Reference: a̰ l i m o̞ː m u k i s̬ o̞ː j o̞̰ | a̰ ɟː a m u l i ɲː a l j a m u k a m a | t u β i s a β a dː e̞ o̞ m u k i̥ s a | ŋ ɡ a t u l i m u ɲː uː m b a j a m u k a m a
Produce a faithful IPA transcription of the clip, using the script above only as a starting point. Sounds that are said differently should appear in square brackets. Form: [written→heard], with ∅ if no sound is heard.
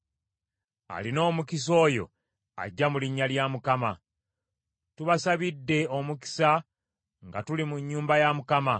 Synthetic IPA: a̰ l i [m→n] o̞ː m u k i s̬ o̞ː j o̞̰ | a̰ ɟː a m u l i ɲː a l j a m u k a m a | t u β [i→a] s a β [a→i] dː e̞ o̞ m u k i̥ s a | ŋ ɡ a t u l i m u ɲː uː m b a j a m u k a m a